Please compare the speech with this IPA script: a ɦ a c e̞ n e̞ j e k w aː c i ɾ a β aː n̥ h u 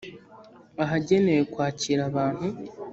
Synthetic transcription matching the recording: a ɦ a ɟ e̞ n e̞ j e k w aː c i ɾ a β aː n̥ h u